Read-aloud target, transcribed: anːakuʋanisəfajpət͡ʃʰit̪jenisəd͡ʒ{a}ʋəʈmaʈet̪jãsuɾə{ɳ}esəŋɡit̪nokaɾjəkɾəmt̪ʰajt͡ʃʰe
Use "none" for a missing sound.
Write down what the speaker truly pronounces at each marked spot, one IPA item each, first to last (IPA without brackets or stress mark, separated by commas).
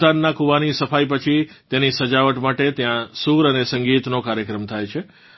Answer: a, n